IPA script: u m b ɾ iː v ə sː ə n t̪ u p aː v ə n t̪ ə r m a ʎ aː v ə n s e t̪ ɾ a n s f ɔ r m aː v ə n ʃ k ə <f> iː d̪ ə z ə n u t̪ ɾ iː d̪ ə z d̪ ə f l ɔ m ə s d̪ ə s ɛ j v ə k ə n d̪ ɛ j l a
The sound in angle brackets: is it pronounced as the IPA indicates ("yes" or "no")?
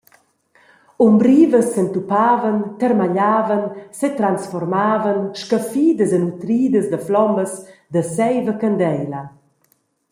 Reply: yes